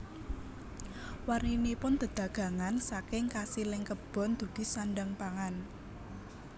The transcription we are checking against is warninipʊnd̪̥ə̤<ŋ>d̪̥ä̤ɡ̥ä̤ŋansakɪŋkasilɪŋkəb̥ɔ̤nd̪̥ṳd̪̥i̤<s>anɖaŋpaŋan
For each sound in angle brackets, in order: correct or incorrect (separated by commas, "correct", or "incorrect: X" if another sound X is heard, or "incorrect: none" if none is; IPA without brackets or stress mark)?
incorrect: none, correct